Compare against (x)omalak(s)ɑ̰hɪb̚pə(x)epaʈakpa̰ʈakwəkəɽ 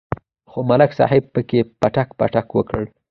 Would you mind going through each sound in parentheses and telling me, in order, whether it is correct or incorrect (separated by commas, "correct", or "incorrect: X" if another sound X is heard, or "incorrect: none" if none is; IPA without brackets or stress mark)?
correct, correct, incorrect: k